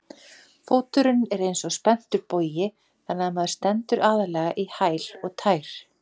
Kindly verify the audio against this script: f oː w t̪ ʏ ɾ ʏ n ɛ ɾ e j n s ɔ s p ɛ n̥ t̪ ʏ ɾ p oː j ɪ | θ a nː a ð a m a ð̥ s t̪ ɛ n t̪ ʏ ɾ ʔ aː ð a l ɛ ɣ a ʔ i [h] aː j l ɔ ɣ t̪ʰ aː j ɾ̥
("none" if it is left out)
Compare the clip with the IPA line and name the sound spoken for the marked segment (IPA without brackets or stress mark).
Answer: h